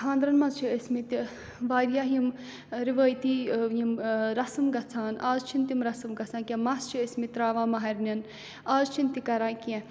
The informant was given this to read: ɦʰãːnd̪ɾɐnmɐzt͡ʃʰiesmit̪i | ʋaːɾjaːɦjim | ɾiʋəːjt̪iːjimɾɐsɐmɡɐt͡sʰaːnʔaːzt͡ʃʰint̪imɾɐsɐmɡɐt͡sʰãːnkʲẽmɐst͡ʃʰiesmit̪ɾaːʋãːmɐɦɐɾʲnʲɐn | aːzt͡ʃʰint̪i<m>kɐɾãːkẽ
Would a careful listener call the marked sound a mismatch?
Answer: yes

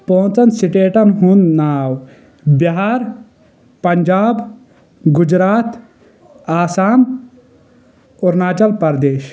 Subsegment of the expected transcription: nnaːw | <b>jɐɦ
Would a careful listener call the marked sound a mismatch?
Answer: no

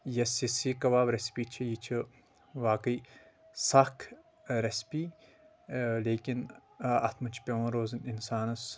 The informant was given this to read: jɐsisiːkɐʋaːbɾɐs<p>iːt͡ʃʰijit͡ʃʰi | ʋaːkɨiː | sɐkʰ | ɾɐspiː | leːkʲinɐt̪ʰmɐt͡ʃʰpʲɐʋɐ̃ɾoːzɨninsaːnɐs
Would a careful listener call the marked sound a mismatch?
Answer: no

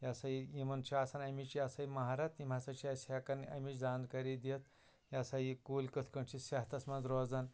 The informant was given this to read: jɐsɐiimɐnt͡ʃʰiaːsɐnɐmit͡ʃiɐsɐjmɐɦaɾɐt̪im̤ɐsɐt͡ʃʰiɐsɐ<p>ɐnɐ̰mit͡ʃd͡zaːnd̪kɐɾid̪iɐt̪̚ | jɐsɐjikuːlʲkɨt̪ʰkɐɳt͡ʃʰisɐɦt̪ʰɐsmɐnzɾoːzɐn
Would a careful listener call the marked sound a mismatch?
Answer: yes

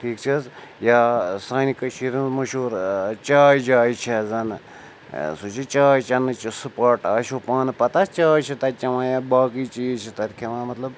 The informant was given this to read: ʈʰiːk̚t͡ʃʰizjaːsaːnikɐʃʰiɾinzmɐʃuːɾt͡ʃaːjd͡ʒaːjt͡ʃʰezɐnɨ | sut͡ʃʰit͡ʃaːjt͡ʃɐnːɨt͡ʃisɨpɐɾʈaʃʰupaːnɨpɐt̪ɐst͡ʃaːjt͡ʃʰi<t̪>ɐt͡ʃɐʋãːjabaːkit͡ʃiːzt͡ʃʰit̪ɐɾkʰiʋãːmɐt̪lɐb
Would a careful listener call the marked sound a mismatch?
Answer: no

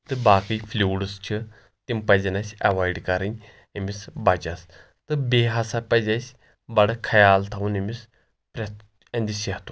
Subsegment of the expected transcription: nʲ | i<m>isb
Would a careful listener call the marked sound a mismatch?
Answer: no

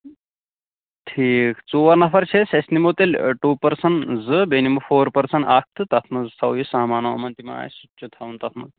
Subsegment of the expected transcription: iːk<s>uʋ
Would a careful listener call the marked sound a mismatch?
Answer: yes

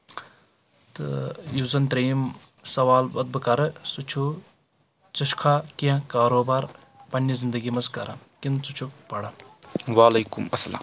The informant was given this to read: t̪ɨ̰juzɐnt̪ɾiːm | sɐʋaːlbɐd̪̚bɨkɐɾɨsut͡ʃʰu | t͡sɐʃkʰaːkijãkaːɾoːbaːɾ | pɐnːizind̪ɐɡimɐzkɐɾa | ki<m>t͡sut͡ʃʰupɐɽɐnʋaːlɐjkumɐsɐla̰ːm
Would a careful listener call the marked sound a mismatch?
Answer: yes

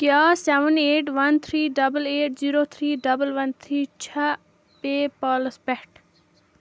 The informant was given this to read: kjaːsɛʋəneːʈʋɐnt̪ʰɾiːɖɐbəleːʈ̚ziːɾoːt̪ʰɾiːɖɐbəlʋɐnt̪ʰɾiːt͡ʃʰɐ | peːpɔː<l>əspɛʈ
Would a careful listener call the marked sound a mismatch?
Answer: no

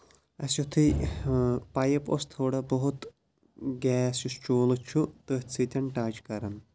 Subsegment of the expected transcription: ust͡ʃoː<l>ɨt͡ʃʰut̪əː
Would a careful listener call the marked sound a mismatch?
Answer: no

